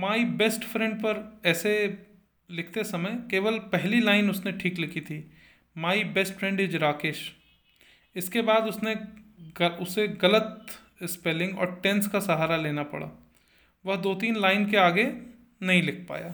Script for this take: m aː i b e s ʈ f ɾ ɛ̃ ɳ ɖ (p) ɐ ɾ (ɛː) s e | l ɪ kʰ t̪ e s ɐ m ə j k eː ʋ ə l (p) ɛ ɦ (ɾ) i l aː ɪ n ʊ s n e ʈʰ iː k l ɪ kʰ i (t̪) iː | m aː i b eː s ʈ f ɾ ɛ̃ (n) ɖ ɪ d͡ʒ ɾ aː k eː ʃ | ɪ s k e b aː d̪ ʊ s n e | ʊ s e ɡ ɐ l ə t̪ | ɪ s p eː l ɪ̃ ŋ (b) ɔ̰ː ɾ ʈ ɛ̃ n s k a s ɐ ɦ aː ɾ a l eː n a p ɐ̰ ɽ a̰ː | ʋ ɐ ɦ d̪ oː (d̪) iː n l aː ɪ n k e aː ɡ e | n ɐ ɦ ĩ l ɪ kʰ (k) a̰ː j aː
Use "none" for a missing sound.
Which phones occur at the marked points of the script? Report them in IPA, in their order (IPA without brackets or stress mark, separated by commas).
p, ɛː, p, l, t̪ʰ, ɳ, ɡ, t̪, p